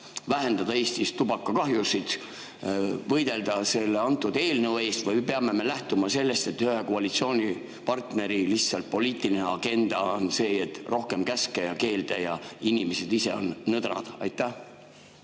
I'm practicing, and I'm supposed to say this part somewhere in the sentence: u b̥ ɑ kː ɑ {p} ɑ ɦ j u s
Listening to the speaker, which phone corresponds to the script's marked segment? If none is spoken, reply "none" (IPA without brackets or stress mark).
k